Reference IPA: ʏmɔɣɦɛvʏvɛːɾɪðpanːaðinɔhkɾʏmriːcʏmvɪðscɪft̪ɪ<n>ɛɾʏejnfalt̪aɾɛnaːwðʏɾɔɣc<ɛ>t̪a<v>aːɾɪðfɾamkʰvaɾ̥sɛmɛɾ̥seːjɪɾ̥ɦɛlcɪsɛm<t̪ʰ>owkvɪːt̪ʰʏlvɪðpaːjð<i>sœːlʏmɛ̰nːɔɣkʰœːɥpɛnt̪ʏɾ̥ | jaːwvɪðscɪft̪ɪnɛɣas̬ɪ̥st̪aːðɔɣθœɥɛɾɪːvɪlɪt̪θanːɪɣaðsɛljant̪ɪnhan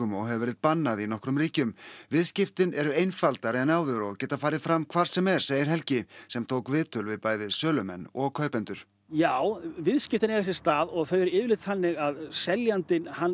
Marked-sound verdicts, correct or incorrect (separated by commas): correct, incorrect, incorrect, correct, incorrect